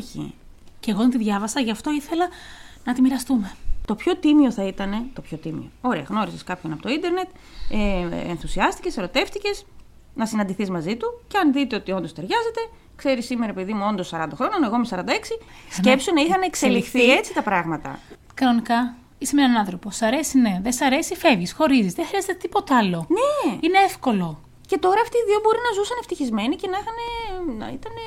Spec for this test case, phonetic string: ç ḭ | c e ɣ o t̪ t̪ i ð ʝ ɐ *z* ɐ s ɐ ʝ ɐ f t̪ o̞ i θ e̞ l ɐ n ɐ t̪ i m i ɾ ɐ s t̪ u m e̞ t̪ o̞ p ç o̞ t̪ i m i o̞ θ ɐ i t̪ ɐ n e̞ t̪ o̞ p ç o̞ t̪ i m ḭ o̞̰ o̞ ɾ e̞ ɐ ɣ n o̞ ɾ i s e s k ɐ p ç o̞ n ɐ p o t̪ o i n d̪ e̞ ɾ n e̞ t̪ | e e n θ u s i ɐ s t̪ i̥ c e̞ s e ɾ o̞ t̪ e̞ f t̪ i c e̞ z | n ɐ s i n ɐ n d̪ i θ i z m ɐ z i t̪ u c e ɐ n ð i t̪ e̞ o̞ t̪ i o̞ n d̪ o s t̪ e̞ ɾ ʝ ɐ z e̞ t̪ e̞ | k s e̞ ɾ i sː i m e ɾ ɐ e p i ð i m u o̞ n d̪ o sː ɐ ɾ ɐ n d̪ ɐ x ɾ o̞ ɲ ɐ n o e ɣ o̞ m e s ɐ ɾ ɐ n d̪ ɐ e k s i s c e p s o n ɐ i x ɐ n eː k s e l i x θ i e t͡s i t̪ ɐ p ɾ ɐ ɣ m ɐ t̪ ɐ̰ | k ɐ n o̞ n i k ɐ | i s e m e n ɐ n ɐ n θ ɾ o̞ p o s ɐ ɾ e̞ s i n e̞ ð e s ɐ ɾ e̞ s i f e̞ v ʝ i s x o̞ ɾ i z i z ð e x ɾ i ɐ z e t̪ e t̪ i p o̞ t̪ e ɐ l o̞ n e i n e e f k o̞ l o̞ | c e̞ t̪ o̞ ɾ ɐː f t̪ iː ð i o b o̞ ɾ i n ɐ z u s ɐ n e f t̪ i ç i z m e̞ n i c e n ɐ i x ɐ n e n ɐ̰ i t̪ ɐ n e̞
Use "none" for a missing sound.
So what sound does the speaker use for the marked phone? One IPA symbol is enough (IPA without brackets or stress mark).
v